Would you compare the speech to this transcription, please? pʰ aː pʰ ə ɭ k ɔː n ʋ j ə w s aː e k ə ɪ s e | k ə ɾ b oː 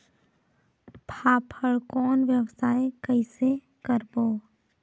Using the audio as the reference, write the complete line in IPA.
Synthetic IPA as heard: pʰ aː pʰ ə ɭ k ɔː n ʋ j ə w s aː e k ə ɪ s e | k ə ɾ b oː